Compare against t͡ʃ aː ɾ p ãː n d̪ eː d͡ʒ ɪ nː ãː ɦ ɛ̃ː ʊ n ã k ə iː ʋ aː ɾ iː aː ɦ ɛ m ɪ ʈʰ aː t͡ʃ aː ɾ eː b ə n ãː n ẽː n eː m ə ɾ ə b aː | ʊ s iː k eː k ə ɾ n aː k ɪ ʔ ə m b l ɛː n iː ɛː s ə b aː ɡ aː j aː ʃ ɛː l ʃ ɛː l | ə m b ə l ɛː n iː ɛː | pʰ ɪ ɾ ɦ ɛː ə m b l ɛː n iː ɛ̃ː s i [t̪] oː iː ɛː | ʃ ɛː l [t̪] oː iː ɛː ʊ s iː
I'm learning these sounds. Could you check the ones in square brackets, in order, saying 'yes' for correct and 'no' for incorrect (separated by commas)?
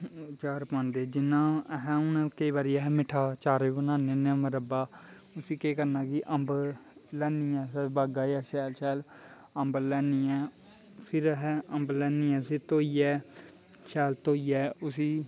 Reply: yes, yes